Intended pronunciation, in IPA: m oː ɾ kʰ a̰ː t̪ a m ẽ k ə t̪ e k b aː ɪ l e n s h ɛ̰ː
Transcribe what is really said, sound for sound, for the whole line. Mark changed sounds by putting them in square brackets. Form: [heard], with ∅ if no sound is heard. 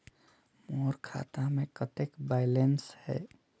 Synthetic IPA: m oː ɾ kʰ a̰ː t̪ a m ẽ k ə t̪ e k b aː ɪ l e n s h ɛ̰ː